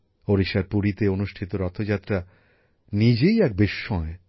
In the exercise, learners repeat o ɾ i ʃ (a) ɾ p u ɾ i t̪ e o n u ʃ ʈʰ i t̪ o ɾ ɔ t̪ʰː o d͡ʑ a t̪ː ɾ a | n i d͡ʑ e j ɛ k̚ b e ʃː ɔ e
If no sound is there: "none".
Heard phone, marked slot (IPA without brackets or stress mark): a